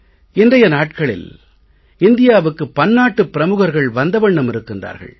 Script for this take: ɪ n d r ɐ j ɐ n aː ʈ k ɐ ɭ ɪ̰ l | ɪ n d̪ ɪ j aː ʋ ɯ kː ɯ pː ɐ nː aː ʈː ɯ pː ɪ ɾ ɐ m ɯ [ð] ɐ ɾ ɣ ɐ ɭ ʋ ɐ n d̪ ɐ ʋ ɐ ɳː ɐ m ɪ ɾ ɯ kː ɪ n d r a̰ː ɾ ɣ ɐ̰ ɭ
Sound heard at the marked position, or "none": ɣ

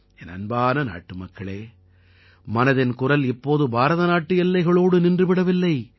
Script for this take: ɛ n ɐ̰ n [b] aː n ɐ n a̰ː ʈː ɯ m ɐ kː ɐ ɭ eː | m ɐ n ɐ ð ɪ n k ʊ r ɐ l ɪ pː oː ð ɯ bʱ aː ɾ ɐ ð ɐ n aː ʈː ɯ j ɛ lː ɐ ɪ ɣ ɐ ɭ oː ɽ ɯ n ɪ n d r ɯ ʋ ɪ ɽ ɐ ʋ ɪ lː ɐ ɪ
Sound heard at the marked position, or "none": b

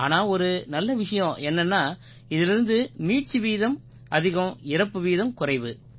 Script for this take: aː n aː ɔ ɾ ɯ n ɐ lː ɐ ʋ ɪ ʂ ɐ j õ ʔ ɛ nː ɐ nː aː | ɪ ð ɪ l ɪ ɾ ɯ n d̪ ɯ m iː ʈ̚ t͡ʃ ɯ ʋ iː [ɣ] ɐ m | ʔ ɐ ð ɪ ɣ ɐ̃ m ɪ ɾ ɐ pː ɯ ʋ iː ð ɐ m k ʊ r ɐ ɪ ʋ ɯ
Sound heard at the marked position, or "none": ð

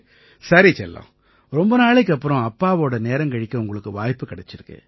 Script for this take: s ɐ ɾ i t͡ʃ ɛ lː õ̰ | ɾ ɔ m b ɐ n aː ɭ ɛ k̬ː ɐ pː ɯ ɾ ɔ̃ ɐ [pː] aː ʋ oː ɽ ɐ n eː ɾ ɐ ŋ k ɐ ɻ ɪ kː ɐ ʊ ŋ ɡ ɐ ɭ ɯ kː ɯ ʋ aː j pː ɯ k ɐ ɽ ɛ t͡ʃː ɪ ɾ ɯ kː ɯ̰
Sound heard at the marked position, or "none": pː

